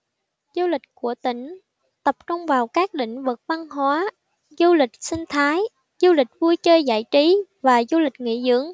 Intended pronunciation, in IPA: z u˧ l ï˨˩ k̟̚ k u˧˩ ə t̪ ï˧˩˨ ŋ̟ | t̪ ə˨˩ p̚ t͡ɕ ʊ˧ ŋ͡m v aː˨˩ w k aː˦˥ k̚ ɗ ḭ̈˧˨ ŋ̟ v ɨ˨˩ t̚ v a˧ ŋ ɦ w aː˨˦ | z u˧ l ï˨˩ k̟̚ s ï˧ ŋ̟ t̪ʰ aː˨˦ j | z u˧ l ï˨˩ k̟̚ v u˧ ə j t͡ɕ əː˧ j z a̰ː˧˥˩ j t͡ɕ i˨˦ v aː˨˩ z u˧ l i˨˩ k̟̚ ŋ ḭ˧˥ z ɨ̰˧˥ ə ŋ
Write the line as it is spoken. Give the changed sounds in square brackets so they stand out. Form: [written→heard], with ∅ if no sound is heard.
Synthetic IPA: z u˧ l ï˨˩ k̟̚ k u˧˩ ə t̪ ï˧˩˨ ŋ̟ | t̪ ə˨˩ p̚ t͡ɕ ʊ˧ ŋ͡m v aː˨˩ w k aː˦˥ k̚ ɗ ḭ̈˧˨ ŋ̟ v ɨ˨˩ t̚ v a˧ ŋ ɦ w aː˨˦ | z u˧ l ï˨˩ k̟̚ s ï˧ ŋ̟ t̪ʰ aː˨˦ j | z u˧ l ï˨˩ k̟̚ v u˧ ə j t͡ɕ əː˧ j z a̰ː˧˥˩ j t͡ɕ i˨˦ v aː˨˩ z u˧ l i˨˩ k̟̚ ŋ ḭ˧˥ z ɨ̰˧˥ ə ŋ